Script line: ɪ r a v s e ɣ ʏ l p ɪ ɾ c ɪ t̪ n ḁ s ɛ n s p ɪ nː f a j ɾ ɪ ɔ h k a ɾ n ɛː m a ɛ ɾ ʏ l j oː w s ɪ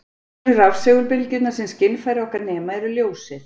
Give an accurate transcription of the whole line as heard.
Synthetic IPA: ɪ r a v s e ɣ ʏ l p ɪ l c ɪ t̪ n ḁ s ɛ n s c ɪ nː f a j ɾ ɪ ɔ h k a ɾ n ɛː m a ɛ ɾ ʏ l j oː w s ɪ